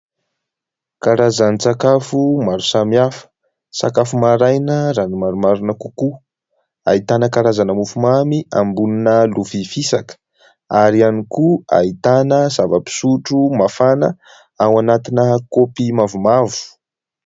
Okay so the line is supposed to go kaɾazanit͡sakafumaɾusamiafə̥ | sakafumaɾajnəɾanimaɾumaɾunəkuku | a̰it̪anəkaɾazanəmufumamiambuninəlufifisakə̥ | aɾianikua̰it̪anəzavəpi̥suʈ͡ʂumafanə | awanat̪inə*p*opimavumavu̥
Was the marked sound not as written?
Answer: yes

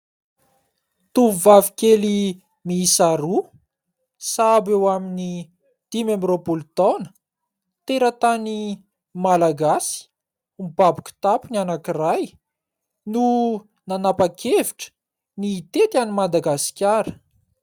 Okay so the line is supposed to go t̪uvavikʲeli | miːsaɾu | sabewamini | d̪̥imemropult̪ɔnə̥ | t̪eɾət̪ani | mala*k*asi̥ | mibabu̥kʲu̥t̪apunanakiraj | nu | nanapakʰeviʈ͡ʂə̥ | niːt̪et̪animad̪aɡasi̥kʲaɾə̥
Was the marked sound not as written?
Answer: yes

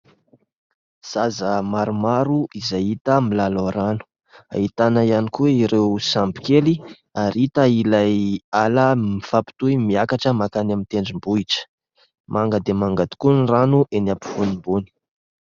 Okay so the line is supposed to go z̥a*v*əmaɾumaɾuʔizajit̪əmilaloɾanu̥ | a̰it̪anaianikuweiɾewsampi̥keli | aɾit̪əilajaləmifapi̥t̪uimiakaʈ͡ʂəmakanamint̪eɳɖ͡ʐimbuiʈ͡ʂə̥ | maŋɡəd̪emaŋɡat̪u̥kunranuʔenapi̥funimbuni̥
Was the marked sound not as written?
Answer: yes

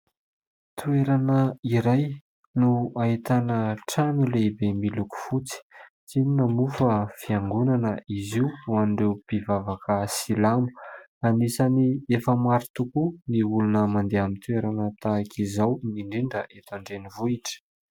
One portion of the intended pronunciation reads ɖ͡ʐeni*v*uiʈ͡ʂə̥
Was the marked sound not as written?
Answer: no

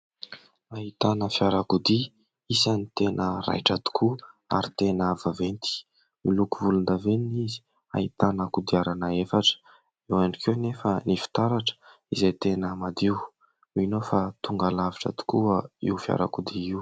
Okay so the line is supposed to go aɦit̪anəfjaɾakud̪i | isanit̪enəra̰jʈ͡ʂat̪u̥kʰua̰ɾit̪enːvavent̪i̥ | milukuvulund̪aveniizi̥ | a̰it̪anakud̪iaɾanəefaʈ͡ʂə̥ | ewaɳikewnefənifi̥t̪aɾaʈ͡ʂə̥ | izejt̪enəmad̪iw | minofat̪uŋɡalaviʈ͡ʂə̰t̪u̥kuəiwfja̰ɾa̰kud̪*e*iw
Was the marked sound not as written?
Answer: yes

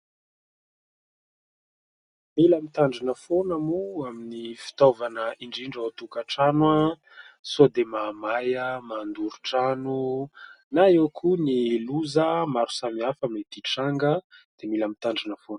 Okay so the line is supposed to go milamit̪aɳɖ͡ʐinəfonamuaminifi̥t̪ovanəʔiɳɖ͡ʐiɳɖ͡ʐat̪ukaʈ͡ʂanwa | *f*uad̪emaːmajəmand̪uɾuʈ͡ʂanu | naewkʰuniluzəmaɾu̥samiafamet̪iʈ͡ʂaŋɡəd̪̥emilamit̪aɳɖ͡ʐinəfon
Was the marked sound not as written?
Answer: yes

